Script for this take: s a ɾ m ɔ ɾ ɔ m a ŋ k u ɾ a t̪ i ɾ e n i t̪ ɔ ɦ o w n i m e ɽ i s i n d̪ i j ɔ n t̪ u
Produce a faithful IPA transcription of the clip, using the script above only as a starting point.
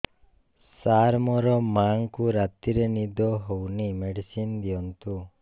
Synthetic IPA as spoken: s a ɾ m ɔ ɾ ɔ m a ŋ k u ɾ a t̪ i ɾ e n i d̪ ɔ ɦ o w n i m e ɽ i s i n d̪ i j ɔ n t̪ u